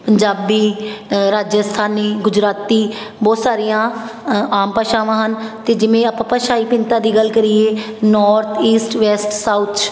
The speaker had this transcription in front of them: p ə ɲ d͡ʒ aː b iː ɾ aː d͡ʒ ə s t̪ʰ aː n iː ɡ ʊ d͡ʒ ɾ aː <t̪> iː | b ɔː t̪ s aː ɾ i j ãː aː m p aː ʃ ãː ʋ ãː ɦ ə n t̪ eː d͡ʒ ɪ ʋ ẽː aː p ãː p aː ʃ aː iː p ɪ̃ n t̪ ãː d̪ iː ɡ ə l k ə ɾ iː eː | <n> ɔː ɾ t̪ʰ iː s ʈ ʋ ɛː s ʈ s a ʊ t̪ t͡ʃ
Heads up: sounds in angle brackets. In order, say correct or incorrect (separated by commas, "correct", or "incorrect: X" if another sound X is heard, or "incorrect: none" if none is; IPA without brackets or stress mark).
correct, correct